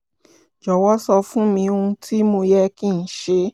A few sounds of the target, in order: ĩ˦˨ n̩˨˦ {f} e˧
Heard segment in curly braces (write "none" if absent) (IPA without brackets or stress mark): ʃ